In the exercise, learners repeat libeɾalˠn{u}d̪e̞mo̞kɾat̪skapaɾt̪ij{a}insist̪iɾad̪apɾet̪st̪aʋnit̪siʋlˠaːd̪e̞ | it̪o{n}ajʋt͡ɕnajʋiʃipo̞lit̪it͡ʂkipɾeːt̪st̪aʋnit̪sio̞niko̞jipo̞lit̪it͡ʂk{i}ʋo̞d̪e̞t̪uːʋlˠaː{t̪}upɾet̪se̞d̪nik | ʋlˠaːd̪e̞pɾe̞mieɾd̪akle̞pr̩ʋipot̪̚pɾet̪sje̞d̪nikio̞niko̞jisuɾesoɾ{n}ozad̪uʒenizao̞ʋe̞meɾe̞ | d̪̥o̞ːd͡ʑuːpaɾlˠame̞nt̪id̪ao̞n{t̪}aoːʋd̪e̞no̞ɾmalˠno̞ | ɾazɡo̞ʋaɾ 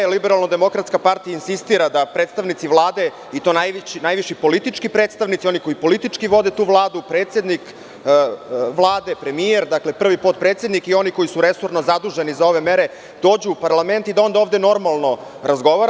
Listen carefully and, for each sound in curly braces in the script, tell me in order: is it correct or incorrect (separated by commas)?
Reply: incorrect, correct, correct, correct, incorrect, correct, incorrect